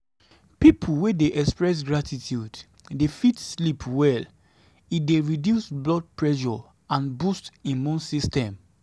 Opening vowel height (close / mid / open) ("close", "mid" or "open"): close